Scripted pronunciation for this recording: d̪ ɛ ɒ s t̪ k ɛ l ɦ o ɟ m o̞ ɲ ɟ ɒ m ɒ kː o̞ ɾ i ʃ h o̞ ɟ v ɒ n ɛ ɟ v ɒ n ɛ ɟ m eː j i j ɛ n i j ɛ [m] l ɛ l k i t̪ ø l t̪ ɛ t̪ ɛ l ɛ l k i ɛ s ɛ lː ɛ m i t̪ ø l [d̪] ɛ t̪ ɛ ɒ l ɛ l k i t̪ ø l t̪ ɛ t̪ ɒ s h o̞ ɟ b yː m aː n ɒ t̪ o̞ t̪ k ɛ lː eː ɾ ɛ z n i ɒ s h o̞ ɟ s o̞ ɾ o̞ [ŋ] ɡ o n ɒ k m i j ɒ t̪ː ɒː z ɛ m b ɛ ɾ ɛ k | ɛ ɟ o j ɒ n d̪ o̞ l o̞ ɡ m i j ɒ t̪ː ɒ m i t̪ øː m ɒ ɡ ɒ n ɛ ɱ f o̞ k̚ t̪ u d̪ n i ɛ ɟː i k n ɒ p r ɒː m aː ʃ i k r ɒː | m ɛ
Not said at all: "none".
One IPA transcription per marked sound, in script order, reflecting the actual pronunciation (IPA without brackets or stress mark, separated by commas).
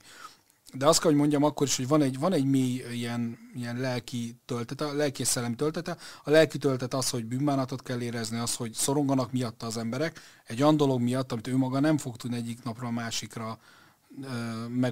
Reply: n, t̪, ŋ